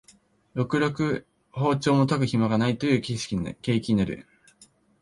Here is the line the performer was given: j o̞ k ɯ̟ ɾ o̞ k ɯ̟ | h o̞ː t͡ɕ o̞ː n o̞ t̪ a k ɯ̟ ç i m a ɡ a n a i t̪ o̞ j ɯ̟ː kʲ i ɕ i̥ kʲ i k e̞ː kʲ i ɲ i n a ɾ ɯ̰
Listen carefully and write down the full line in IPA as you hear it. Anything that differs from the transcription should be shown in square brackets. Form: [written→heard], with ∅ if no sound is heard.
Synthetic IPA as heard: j o̞ k ɯ̟ ɾ o̞ k ɯ̟ | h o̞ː t͡ɕ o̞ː [n→m] o̞ t̪ a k ɯ̟ ç i m a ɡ a n a i t̪ o̞ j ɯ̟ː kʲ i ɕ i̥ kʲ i k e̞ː kʲ i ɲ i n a ɾ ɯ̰